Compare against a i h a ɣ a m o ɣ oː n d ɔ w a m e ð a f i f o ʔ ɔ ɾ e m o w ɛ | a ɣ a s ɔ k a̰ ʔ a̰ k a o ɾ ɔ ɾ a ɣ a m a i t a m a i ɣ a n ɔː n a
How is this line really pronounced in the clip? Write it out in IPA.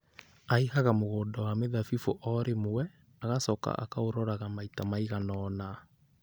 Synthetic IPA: a i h a ɣ a m o ɣ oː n d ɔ w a m e ð a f i f o ʔ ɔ ɾ e m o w ɛ | a ɣ a s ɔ k a̰ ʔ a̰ k a o ɾ ɔ ɾ a ɣ a m a i t a m a i ɣ a n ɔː n a